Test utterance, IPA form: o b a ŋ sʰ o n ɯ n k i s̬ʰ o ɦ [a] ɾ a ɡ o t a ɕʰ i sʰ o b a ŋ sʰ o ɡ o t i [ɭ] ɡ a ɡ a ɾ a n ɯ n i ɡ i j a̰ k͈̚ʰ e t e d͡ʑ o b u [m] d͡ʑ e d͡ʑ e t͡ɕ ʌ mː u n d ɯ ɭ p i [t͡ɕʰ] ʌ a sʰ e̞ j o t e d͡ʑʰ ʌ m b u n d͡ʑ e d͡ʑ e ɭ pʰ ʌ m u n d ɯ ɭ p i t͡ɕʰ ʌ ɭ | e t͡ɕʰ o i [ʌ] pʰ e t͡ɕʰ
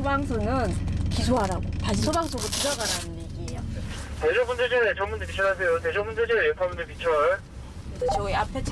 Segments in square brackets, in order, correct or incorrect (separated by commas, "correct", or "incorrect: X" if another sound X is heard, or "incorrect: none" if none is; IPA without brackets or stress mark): correct, incorrect: none, incorrect: n, correct, incorrect: a